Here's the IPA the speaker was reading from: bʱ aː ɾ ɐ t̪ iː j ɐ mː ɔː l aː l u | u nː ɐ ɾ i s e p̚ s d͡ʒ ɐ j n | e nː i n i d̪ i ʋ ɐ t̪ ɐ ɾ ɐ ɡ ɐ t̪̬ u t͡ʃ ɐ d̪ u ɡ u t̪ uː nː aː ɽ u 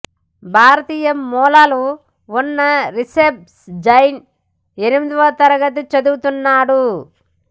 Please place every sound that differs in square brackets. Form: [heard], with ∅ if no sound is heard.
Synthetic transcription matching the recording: bʱ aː ɾ ɐ t̪ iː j ɐ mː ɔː l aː l u | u nː ɐ ɾ i s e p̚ s d͡ʒ ɐ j n | e [n] i [m] i d̪ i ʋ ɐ t̪ ɐ ɾ ɐ ɡ ɐ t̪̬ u t͡ʃ ɐ d̪ u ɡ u t̪ [u] nː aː ɽ u